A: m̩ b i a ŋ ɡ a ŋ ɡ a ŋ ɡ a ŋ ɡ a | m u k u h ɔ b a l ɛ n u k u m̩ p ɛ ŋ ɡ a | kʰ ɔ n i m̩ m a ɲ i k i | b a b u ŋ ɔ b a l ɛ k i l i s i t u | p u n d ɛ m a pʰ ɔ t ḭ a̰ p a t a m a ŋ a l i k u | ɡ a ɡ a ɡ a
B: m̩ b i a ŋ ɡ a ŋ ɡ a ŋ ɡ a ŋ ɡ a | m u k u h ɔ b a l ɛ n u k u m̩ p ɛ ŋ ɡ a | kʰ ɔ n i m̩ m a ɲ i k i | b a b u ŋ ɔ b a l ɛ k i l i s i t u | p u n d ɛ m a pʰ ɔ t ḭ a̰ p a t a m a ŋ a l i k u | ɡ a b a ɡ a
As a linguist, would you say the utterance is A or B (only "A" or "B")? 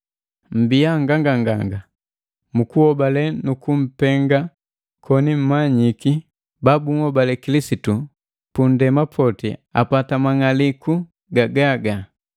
A